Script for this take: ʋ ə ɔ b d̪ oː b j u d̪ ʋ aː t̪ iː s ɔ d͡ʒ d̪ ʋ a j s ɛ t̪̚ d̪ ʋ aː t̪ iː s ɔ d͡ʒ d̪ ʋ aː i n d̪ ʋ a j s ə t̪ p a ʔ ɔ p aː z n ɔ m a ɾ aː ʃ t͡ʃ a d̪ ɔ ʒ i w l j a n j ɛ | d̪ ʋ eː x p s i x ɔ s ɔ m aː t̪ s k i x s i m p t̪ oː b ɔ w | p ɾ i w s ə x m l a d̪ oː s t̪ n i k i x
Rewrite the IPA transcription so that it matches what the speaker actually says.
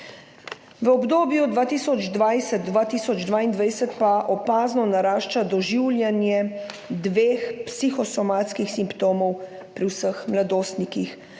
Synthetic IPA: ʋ ə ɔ b d̪ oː b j u d̪ ʋ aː t̪ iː s ɔ d͡ʒ d̪ ʋ a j s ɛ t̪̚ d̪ ʋ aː t̪ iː s ɔ d͡ʒ d̪ ʋ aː i n d̪ ʋ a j s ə t̪ p a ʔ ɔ p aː z n ɔ n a ɾ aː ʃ t͡ʃ a d̪ ɔ ʒ i w l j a n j ɛ | d̪ ʋ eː x p s i x ɔ s ɔ m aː t̪ s k i x s i m p t̪ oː m ɔ w | p ɾ i w s ə x m l a d̪ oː s t̪ n i k i x